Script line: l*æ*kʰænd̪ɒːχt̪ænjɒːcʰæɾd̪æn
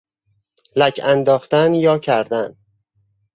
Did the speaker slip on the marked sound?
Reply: no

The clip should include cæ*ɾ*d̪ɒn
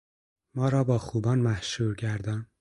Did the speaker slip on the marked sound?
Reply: no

